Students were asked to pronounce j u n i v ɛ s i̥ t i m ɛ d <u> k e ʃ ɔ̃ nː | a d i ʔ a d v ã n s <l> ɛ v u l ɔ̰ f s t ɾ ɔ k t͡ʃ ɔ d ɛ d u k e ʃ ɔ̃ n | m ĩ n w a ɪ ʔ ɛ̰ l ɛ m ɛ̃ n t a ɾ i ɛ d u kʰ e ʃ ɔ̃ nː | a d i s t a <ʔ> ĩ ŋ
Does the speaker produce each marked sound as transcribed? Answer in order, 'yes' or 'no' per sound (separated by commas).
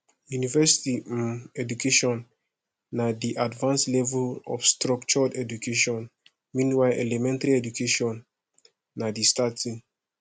yes, yes, no